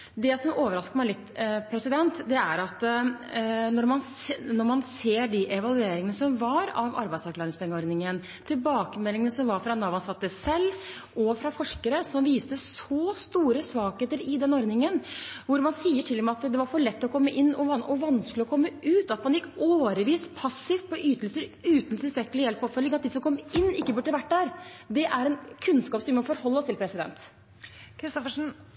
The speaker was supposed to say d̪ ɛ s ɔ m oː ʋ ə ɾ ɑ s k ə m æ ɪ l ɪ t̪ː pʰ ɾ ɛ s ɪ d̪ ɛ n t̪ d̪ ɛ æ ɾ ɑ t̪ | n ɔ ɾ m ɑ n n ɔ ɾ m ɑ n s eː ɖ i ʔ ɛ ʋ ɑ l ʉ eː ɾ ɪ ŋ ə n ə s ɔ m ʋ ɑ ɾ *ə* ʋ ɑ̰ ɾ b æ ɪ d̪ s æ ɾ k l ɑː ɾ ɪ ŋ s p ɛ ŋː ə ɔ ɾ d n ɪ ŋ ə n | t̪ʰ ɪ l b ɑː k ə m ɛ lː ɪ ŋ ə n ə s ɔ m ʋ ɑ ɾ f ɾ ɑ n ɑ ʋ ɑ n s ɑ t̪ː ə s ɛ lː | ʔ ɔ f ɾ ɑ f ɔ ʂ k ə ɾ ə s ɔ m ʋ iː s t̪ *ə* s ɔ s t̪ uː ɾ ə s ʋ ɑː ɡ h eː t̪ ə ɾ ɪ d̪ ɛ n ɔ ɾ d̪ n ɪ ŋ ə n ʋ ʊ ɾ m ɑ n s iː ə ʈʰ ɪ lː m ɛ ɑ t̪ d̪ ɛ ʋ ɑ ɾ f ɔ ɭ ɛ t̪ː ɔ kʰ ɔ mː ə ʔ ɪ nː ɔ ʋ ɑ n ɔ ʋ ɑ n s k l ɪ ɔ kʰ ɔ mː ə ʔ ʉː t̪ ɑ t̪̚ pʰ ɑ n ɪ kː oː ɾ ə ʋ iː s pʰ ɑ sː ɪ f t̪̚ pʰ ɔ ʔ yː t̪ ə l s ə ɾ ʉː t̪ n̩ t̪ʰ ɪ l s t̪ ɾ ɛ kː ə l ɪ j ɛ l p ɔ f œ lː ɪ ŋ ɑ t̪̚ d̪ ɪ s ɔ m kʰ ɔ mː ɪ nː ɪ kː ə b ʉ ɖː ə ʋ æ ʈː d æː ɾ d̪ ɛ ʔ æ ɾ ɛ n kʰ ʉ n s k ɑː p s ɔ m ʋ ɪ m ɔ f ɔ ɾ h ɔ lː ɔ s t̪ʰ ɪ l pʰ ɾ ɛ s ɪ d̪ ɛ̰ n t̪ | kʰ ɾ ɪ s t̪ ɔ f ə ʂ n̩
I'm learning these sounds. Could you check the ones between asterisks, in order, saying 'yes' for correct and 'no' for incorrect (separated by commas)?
no, yes